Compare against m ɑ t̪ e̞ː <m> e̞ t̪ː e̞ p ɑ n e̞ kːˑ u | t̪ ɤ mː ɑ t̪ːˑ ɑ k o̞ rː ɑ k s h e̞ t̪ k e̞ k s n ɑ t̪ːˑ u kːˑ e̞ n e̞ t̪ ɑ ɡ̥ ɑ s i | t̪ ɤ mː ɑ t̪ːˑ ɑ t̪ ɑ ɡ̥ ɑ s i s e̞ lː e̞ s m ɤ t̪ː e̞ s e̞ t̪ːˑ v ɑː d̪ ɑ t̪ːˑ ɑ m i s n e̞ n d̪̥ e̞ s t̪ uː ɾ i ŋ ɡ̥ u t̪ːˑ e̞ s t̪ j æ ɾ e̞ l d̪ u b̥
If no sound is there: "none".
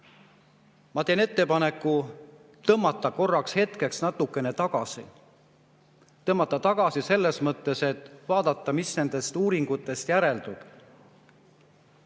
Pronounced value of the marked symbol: n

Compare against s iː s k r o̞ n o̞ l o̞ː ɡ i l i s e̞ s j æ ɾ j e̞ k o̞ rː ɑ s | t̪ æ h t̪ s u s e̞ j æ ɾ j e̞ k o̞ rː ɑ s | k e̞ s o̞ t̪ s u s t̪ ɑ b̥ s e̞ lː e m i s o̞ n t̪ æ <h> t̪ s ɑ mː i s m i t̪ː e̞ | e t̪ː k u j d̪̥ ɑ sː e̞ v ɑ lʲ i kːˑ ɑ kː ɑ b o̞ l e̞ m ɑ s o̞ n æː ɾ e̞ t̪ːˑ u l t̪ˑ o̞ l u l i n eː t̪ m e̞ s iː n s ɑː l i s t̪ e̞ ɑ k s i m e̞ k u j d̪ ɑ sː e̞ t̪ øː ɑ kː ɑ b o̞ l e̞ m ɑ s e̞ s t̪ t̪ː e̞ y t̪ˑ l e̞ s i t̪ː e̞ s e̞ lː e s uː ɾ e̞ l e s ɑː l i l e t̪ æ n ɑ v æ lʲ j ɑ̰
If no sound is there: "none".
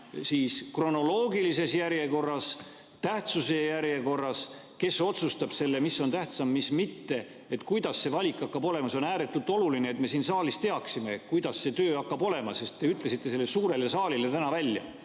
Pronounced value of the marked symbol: h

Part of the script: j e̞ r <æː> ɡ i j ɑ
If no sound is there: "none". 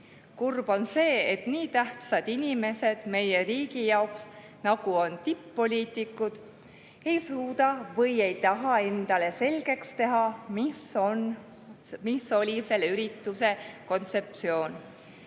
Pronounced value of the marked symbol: iː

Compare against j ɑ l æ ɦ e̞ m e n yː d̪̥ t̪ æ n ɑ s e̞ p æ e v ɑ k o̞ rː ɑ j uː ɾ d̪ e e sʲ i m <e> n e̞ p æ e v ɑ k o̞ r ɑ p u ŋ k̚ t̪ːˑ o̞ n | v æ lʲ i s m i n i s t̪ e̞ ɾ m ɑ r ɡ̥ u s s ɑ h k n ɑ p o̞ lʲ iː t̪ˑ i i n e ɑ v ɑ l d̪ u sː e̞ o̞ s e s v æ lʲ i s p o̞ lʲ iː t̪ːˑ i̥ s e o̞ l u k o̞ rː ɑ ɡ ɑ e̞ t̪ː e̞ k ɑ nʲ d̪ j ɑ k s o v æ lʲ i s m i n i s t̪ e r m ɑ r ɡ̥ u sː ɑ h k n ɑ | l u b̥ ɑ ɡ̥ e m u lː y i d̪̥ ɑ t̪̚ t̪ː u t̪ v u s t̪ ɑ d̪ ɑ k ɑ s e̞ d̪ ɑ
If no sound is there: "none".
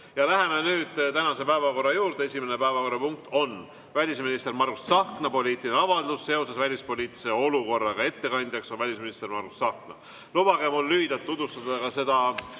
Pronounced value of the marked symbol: e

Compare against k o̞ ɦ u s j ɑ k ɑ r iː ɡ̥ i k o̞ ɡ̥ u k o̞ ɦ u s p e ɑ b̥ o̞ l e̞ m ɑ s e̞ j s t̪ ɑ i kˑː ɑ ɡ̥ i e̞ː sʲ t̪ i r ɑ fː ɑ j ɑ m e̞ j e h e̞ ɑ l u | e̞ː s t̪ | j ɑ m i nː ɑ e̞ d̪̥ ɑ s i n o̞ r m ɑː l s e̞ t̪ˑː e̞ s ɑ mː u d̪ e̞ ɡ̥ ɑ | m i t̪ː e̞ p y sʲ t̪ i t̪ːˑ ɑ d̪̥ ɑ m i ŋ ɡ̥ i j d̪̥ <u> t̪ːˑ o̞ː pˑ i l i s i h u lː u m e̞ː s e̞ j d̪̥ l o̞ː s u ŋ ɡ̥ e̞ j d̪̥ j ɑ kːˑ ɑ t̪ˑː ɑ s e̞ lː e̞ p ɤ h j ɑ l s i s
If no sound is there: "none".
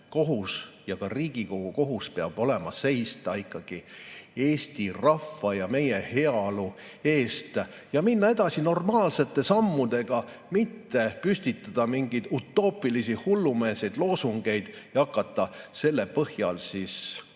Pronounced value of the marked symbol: u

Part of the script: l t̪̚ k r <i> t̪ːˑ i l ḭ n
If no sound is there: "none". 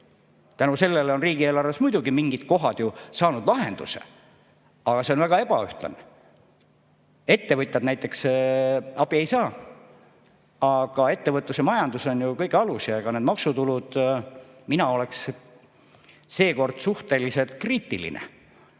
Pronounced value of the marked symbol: iː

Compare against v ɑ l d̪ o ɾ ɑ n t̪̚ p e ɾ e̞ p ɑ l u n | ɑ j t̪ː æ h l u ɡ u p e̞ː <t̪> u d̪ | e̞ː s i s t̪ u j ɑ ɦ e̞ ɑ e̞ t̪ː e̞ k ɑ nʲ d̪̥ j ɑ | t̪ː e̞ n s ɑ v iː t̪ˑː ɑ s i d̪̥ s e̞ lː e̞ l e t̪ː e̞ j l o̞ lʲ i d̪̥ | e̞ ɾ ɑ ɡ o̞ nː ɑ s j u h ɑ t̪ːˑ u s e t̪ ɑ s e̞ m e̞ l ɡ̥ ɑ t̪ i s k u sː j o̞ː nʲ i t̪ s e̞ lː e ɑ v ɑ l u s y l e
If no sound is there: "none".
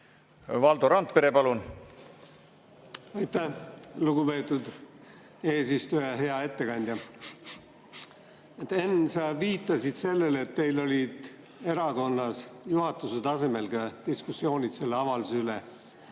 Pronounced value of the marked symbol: t̪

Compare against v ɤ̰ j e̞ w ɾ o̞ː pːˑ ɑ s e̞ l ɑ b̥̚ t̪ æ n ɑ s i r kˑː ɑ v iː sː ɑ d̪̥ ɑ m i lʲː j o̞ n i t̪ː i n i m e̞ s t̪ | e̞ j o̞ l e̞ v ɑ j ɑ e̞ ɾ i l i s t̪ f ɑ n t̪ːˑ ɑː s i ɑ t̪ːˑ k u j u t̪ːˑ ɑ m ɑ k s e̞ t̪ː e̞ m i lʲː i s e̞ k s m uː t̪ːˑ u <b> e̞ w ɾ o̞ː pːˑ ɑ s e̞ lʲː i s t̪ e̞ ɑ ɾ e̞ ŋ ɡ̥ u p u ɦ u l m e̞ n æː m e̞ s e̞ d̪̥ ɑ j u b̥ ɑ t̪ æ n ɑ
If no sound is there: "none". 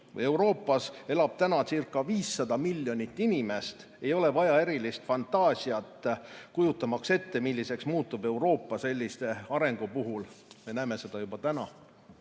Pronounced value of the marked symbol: b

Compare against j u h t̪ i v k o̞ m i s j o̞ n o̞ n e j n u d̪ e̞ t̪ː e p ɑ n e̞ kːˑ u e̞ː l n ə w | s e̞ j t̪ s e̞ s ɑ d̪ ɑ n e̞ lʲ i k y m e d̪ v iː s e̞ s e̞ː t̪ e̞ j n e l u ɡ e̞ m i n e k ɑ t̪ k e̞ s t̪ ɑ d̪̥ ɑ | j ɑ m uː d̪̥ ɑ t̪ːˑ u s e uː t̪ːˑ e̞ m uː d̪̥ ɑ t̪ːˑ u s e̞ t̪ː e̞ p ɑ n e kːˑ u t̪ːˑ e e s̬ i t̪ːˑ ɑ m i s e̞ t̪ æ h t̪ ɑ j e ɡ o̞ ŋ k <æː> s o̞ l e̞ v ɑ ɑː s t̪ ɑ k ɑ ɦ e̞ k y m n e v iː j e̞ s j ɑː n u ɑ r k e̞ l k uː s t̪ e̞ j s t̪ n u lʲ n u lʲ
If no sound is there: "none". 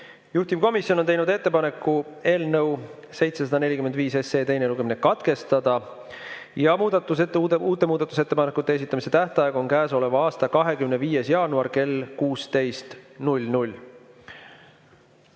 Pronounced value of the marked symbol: æː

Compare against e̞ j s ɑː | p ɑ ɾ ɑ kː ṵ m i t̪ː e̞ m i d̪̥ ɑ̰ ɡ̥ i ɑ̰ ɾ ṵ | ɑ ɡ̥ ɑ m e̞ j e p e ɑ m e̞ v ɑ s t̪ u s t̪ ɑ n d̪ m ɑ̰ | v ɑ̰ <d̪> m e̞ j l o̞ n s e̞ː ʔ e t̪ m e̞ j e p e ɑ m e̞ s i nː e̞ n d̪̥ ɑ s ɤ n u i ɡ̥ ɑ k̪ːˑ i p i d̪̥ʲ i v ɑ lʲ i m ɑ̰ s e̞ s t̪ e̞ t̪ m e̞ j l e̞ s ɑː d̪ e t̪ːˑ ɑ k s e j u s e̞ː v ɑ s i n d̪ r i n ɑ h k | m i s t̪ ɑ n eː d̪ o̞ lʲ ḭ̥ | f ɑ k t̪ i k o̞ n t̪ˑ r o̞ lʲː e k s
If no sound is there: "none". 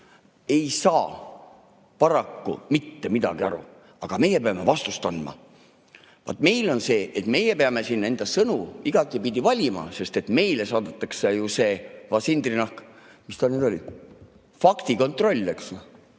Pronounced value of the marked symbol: t̪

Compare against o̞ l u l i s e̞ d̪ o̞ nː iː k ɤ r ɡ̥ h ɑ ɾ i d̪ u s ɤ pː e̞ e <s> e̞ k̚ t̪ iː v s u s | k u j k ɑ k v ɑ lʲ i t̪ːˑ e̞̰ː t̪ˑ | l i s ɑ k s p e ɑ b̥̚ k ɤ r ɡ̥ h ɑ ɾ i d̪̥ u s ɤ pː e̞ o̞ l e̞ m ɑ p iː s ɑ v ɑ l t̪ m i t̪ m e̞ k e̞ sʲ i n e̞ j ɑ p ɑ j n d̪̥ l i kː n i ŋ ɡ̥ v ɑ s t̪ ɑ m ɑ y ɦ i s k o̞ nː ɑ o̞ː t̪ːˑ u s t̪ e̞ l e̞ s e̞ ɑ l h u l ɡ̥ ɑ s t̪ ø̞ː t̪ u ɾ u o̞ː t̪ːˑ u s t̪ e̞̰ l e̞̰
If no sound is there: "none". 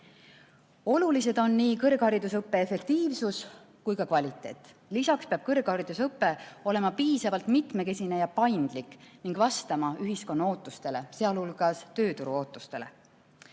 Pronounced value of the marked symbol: f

